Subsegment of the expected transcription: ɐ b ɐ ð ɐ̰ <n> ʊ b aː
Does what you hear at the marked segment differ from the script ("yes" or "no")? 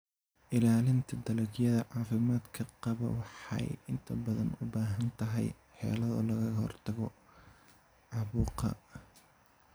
no